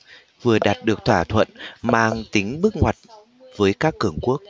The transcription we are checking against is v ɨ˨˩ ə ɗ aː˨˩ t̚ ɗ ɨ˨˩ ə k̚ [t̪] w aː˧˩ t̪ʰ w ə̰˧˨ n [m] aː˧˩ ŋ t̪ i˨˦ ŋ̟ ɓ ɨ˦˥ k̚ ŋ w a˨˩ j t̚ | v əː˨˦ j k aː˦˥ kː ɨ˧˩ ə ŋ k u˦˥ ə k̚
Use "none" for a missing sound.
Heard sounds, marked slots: t̪ʰ, m

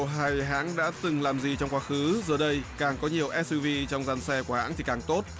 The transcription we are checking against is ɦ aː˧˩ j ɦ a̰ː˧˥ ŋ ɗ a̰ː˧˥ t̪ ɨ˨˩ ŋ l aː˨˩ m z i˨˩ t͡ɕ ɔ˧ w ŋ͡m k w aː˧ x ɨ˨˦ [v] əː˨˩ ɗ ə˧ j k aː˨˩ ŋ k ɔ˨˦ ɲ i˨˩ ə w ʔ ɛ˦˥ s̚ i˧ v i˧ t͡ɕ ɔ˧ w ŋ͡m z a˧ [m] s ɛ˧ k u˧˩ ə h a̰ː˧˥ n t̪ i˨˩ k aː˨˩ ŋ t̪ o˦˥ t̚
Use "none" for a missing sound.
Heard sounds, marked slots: z, n

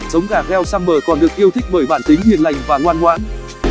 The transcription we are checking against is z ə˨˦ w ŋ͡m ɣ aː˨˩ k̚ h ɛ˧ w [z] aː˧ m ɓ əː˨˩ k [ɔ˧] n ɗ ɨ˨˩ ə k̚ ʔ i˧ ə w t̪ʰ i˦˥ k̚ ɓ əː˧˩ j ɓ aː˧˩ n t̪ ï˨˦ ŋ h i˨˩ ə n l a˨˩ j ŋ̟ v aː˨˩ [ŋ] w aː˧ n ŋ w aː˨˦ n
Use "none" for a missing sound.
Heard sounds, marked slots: s, ɔ˨˩, ŋ

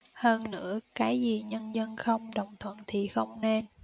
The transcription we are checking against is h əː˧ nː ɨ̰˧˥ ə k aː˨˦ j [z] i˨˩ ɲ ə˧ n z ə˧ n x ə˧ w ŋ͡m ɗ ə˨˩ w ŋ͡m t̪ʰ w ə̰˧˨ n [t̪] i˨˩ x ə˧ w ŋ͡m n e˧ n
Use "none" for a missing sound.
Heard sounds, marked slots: z, t̪ʰ

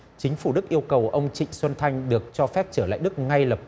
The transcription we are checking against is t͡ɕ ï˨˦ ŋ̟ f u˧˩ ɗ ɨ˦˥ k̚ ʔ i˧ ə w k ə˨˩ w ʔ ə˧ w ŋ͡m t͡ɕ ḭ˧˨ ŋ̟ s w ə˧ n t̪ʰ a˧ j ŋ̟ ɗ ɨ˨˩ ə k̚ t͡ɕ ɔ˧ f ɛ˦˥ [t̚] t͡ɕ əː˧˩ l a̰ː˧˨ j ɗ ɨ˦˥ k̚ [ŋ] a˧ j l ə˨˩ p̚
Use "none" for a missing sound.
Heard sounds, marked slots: p̚, ŋ

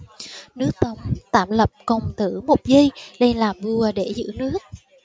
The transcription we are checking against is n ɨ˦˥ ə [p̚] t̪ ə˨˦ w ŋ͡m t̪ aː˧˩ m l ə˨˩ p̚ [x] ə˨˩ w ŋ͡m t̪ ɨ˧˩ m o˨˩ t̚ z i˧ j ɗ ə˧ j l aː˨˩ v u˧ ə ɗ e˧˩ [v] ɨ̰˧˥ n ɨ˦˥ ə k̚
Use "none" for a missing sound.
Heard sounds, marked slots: k̚, k, z

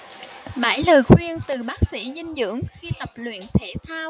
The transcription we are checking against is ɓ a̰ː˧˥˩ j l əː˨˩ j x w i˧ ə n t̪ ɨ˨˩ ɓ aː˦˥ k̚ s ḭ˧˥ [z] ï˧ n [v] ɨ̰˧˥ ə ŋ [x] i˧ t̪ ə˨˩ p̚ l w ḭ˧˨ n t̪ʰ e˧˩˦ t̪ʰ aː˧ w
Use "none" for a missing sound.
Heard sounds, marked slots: z, z, x

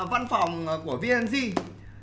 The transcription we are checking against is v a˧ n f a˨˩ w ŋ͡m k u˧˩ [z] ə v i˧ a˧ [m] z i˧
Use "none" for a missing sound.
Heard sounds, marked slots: none, n

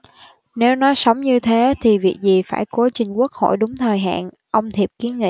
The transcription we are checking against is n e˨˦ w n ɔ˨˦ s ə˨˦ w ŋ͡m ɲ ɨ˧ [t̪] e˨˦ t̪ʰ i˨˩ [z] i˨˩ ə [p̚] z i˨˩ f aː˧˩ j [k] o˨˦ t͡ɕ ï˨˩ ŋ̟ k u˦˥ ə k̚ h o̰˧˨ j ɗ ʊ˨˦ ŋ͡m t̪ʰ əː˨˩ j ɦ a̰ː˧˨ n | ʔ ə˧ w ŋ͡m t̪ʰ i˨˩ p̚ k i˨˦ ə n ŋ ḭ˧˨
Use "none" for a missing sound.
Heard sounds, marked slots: t̪ʰ, v, k̚, k

